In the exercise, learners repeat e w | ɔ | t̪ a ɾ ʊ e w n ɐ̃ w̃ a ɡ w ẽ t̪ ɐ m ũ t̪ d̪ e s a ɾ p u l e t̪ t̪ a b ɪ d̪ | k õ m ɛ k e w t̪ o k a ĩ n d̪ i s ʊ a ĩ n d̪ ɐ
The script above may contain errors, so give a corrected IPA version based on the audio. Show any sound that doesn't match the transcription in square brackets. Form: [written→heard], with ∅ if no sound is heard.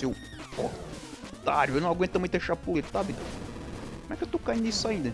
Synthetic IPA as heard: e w | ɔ | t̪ a ɾ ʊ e w n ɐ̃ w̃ a ɡ w ẽ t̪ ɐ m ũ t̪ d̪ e [s→ʃ] a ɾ p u l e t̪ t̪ a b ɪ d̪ | k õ m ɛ k e w t̪ o k a ĩ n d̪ i s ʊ a ĩ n d̪ ɐ